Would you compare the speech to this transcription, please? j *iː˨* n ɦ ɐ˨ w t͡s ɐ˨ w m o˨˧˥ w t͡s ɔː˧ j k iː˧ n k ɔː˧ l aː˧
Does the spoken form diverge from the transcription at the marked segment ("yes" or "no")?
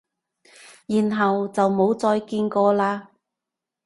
no